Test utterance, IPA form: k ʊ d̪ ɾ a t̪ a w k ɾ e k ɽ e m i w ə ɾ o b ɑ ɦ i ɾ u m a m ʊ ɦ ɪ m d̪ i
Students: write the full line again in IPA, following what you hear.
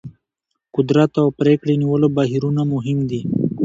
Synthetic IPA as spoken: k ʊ d̪ ɾ a t̪ a w p ɾ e k ɽ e n i w ə l o b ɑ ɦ i ɾ u n a m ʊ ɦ ɪ m d̪ i